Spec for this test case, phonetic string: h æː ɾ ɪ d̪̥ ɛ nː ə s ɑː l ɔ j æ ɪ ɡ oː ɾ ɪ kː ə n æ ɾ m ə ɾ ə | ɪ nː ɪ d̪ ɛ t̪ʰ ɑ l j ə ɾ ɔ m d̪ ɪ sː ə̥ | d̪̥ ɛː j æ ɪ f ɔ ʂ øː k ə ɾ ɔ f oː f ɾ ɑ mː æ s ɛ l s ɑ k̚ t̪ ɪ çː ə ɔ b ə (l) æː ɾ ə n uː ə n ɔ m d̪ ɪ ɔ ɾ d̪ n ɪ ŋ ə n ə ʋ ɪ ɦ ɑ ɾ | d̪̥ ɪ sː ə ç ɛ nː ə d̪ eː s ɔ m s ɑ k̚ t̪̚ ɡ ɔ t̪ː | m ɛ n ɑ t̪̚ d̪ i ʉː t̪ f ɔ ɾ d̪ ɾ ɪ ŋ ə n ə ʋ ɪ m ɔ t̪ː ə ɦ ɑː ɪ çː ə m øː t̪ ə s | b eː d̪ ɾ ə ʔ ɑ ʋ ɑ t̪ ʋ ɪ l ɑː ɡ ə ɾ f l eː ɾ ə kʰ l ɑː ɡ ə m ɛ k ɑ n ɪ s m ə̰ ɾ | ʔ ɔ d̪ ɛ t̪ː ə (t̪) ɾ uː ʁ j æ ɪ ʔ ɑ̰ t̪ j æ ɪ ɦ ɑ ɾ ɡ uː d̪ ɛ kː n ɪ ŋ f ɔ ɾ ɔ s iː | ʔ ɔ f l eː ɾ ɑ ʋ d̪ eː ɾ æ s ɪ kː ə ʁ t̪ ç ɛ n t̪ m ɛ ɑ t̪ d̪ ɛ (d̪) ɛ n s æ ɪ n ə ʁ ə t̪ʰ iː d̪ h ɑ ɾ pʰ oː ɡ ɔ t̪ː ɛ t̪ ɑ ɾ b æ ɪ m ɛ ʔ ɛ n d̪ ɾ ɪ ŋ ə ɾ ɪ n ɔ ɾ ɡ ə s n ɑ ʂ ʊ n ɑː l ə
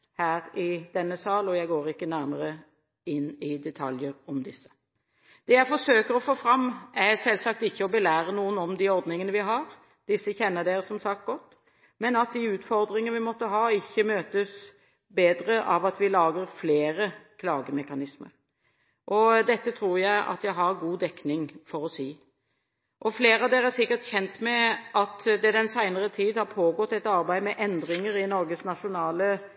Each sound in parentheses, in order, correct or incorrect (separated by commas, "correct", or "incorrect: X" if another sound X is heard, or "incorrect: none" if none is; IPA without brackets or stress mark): correct, incorrect: t̪ʰ, correct